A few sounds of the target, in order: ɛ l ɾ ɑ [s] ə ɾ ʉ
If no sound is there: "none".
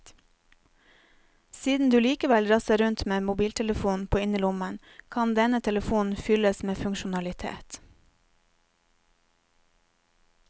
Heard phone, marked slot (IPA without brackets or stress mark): s